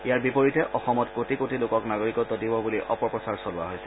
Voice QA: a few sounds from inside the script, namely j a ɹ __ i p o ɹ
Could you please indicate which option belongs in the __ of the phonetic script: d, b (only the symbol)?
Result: b